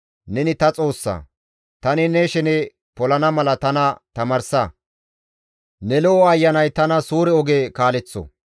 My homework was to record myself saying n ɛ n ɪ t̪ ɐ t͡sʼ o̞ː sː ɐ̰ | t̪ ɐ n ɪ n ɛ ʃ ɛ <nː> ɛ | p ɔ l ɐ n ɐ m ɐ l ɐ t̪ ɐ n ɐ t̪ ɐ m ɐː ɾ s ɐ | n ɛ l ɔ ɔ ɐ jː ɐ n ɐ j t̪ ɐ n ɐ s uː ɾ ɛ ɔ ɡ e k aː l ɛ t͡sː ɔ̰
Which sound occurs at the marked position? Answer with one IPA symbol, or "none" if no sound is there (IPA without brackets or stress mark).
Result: n